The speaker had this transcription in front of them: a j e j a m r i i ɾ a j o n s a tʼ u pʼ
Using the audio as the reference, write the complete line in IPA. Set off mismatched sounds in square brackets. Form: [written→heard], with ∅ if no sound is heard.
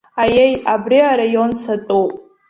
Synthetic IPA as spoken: a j e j a [m→b] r i [i→a] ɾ a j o n s a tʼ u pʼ